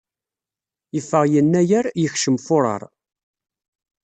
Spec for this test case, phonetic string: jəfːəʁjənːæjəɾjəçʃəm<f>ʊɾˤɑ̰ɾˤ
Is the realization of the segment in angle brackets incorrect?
no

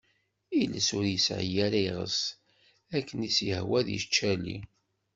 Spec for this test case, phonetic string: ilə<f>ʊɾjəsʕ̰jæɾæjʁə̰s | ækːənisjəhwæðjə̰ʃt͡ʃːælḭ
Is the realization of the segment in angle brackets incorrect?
yes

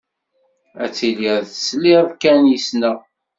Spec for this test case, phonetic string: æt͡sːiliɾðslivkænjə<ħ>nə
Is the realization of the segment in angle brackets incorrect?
yes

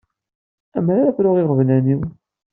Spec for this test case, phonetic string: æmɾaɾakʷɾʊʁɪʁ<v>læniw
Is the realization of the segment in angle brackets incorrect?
no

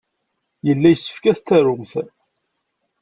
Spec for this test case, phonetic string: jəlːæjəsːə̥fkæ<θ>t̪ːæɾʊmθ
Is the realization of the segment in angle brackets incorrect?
no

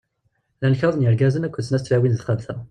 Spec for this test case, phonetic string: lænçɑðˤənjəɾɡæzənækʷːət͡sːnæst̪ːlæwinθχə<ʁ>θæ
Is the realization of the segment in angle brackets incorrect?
yes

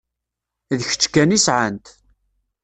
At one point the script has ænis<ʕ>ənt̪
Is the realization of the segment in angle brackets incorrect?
no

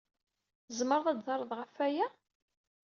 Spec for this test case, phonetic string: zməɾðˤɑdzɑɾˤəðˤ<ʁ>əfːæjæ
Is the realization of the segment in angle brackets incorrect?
no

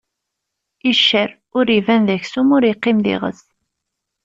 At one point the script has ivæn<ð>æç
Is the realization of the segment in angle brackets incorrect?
no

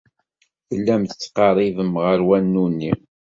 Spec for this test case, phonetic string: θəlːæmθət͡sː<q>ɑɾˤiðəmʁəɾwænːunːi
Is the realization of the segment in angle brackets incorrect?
no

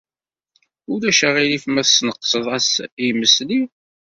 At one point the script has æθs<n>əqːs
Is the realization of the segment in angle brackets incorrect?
no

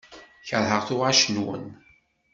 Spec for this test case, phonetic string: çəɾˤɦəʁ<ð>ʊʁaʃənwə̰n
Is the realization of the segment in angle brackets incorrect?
yes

